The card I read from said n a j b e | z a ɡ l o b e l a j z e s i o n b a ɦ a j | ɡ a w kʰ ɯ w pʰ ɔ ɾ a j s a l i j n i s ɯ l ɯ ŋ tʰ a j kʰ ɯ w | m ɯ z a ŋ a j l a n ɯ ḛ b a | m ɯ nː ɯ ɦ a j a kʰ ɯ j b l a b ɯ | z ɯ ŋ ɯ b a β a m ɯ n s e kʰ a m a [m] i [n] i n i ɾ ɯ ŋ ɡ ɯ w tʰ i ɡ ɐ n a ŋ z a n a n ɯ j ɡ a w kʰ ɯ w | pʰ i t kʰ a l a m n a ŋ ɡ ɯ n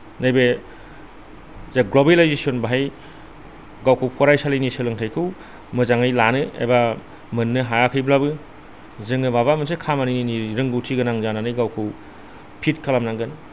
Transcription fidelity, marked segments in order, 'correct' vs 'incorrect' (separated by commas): incorrect, correct